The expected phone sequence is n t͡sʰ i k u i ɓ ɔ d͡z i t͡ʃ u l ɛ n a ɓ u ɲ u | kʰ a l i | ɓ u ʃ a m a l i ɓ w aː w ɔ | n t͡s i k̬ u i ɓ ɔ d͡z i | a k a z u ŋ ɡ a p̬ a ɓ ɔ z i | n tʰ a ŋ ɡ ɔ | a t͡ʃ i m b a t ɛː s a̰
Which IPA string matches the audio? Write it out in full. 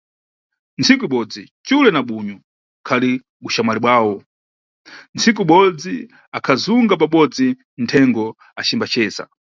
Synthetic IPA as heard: n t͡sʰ i k u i ɓ ɔ d͡z i t͡ʃ u l ɛ n a ɓ u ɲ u | kʰ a l i | ɓ u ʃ a m a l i ɓ w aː w ɔ | n t͡s i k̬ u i ɓ ɔ d͡z i | a kʰ a z u ŋ ɡ a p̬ a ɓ ɔ d͡z i | n tʰ ɛ ŋ ɡ ɔ | a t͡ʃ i m b a t͡ʃ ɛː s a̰